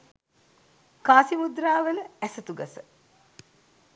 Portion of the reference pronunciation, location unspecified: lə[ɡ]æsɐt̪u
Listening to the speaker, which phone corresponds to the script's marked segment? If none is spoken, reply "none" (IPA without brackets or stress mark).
none